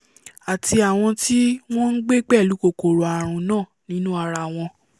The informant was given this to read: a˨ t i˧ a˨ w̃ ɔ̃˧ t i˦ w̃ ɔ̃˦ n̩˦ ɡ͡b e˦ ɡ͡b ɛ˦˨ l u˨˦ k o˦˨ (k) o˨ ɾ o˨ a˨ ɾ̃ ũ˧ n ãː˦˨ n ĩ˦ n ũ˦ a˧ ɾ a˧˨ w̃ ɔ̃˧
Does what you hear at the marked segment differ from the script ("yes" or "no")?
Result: no